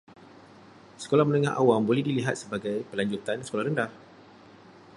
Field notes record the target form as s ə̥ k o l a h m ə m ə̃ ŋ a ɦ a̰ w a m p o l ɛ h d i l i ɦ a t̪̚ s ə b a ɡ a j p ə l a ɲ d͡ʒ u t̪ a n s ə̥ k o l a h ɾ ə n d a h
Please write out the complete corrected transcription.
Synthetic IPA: s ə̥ k o l a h m ə n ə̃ ŋ a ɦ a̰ w a m b o l ɛ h d i l i ɦ a t̪̚ s ə b a ɡ a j p ə l a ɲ d͡ʒ u t̪ a n s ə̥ k o l a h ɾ ə n d a h